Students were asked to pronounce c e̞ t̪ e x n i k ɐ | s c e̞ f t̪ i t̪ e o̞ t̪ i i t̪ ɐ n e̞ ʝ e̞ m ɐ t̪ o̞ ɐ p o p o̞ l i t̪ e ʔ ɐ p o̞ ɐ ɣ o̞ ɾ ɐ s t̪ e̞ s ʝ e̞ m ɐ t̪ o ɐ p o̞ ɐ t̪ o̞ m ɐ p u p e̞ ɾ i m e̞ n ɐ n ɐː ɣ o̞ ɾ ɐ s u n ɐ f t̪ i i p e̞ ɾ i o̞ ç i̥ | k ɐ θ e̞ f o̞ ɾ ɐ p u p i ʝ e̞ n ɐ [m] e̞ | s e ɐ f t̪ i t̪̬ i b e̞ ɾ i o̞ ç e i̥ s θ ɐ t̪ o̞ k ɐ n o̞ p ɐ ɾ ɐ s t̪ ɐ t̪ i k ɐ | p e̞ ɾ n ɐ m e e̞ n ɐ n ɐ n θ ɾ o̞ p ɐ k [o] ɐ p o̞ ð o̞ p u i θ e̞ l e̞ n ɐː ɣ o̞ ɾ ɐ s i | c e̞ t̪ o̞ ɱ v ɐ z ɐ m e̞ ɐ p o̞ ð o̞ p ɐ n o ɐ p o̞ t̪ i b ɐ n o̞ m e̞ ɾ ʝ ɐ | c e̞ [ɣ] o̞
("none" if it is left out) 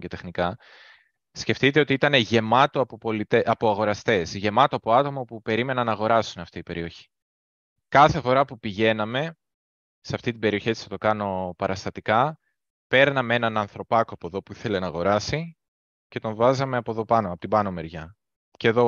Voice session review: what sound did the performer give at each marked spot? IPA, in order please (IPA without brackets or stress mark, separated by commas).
m, o, ð